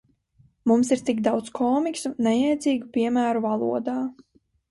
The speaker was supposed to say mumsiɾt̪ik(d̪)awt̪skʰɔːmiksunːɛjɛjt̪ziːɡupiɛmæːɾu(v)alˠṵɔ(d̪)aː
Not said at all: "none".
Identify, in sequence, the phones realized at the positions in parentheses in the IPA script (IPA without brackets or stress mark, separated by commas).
d̪, v, d̪